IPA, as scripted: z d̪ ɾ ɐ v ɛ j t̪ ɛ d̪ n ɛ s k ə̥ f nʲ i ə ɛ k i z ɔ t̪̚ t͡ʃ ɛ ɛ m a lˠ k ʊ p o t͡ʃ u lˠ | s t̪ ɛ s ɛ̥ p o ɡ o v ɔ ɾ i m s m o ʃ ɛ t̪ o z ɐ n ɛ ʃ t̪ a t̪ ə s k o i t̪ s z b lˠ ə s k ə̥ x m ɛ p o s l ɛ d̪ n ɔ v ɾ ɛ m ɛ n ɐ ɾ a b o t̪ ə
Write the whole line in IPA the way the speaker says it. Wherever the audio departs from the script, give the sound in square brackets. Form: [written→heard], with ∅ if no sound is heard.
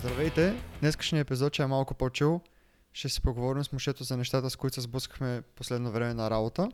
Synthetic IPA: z d̪ ɾ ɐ v ɛ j t̪ ɛ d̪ n ɛ s k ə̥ [f→ʃ] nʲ i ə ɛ [k→p] i z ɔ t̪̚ t͡ʃ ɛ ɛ m a lˠ k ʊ p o t͡ʃ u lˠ | [s→ʃ] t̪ ɛ s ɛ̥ p o ɡ o v ɔ ɾ i m s m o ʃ ɛ t̪ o z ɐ n ɛ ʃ t̪ a t̪ ə s k o i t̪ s z b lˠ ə s k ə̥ x m ɛ p o s l ɛ d̪ n [ɔ→o] v ɾ ɛ m ɛ n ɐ ɾ a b o t̪ ə